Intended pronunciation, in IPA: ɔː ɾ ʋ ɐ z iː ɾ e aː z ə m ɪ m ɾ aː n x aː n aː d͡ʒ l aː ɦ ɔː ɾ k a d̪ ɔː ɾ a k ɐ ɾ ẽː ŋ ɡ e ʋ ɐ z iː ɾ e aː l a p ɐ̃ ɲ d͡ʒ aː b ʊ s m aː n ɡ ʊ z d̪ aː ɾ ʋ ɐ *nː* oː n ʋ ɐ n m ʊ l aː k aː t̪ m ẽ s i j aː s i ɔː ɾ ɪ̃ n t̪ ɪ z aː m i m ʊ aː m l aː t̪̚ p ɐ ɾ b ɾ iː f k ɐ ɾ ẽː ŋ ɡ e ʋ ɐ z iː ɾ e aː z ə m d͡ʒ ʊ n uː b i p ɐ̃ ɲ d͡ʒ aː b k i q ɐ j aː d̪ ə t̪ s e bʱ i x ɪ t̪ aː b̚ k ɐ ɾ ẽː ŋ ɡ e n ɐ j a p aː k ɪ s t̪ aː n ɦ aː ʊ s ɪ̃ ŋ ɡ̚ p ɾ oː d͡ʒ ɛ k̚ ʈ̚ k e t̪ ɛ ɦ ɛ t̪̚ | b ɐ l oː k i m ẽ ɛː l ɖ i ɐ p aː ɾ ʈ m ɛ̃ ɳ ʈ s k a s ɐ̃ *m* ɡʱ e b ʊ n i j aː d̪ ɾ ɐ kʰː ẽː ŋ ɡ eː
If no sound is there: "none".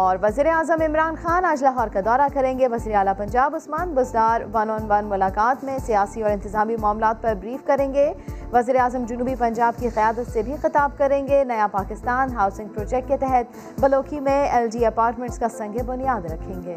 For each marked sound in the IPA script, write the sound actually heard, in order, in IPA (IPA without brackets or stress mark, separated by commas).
n, ŋ